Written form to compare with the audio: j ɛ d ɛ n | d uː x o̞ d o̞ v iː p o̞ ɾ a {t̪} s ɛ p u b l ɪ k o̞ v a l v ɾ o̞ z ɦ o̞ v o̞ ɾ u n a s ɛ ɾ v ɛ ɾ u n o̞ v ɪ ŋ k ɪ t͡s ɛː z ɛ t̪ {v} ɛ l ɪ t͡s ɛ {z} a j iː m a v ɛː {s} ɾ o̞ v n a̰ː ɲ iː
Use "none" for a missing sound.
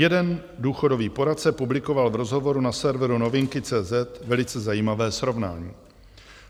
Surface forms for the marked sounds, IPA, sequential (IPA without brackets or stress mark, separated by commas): t̪, v, z, s